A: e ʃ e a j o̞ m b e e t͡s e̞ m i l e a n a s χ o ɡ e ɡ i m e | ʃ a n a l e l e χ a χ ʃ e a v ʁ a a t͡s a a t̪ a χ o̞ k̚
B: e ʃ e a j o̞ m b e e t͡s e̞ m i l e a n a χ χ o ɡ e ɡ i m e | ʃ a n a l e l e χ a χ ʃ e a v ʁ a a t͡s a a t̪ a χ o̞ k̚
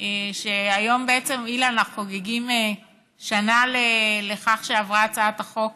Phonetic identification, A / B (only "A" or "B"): B